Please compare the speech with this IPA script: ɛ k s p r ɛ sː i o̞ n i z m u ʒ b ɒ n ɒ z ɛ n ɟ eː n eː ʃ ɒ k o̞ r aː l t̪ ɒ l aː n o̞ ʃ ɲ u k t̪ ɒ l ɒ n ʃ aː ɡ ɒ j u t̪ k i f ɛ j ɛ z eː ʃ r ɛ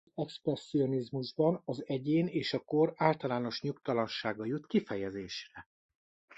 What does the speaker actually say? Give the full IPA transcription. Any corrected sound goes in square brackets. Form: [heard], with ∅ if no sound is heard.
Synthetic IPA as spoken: ɛ k s p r ɛ sː i o̞ n i z m u ʒ b ɒ n ɒ z ɛ [∅] ɟ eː n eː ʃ ɒ k o̞ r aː l t̪ ɒ l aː n o̞ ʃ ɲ u k t̪ ɒ l ɒ n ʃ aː ɡ ɒ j u t̪ k i f ɛ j ɛ z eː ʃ r ɛ